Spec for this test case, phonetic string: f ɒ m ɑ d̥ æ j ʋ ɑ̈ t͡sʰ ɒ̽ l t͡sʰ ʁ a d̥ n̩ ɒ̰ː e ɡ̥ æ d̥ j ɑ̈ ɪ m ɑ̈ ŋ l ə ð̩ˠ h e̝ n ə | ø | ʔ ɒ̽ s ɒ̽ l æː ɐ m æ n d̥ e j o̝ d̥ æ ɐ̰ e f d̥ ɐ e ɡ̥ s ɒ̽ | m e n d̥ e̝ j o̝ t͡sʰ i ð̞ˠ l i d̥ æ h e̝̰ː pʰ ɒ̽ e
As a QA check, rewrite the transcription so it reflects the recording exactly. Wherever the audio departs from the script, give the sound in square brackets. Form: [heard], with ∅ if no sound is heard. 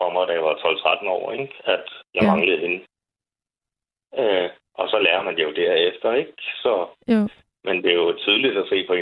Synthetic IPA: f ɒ m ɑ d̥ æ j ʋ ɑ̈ t͡sʰ ɒ̽ l t͡sʰ ʁ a d̥ n̩ ɒ̰ː e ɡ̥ æ d̥ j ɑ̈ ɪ m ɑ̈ ŋ l ə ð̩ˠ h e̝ n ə | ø | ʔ ɒ̽ s ɒ̽ l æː ɐ m æ n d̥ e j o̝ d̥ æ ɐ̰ e f d̥ ɐ e ɡ̥ s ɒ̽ | m e n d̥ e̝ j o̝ t͡sʰ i ð̞ˠ l i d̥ æ [s] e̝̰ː pʰ ɒ̽ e